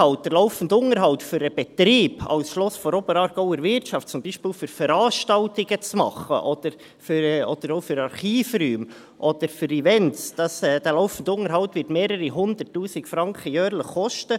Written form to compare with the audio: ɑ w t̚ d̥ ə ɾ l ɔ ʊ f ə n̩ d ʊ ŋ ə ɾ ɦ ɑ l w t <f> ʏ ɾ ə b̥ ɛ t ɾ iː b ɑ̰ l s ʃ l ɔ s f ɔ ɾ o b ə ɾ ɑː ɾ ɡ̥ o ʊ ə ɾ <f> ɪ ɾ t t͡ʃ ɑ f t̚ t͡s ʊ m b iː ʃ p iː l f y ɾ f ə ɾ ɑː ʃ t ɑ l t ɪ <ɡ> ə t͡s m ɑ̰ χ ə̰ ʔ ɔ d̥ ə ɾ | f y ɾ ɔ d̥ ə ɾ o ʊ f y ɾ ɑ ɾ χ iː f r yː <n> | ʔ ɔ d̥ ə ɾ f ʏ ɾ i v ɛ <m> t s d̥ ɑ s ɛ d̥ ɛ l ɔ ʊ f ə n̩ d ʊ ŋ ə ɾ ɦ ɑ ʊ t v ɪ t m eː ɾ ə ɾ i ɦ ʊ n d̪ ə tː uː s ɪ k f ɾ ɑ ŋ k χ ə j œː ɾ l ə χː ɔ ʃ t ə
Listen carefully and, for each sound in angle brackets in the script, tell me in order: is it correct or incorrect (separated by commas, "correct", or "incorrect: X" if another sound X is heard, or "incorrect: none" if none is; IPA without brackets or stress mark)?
correct, incorrect: v, correct, incorrect: m, incorrect: n